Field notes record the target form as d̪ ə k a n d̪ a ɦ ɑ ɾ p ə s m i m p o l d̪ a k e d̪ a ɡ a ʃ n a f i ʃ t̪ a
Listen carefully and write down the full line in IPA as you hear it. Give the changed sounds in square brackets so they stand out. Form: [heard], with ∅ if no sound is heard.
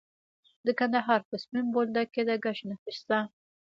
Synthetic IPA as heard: d̪ ə k a n d̪ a ɦ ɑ ɾ p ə s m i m [b] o l d̪ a k e d̪ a ɡ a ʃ n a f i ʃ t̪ a